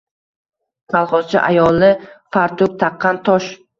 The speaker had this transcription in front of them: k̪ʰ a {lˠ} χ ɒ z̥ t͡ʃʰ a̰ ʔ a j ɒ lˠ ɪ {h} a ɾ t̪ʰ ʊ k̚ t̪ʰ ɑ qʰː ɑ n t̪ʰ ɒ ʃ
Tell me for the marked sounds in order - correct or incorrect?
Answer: correct, incorrect: f

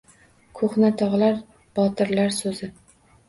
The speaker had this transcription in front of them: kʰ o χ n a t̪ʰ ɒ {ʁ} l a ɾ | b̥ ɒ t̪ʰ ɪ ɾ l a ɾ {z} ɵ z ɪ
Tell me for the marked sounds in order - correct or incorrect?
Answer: correct, incorrect: s

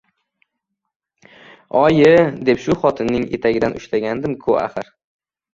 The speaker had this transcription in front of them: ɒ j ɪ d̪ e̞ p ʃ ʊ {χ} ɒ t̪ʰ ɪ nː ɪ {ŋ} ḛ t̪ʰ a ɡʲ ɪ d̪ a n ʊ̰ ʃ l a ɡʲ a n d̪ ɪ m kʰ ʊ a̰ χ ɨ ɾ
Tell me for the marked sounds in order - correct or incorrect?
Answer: correct, correct

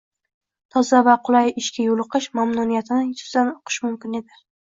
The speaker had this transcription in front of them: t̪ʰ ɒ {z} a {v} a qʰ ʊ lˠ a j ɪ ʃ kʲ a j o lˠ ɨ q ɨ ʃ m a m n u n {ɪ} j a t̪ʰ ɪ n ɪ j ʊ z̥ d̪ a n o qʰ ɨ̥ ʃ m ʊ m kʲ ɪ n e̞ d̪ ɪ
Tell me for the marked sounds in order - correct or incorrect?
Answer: correct, correct, incorrect: i

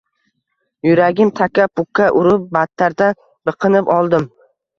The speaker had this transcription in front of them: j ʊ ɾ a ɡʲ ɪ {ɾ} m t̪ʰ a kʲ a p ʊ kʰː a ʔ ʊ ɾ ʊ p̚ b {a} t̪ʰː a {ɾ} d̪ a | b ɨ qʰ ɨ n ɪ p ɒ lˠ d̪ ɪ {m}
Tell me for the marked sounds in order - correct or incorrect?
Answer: incorrect: none, correct, correct, correct

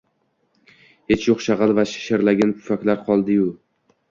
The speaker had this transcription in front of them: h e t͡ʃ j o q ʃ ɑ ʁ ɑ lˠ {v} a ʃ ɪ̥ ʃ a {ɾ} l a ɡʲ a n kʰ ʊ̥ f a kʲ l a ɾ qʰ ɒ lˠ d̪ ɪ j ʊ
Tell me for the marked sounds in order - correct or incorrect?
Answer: correct, correct

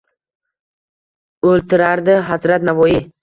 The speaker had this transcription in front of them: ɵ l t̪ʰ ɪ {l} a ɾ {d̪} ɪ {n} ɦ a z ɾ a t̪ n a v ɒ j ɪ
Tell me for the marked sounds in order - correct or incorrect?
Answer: incorrect: ɾ, correct, incorrect: none

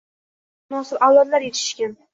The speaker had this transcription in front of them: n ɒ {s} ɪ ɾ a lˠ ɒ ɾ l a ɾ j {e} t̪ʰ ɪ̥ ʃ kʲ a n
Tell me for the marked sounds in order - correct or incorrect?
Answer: correct, correct

